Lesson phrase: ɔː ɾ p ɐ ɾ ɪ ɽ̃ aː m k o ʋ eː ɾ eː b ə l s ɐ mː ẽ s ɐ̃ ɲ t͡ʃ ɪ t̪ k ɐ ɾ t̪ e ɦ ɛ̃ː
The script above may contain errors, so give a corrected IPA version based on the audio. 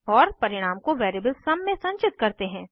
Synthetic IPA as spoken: ɔː ɾ p ɐ ɾ ɪ ɽ̃ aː m k o ʋ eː ɾ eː b ə l s ɐ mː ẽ s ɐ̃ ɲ t͡ʃ ɪ t̪ k ɐ ɾ t̪ e ɦ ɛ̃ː